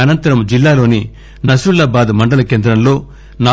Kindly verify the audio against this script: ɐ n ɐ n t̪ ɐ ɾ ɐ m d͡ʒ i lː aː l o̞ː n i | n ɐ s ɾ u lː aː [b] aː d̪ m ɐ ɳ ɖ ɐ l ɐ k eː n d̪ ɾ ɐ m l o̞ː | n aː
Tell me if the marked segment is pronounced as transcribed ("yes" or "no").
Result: yes